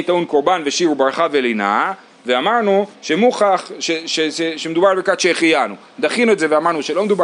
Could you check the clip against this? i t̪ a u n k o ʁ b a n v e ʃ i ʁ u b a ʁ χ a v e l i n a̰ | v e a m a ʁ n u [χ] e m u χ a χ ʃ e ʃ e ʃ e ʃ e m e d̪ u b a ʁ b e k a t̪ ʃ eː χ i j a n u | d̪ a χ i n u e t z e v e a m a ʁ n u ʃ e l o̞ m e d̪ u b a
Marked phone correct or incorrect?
incorrect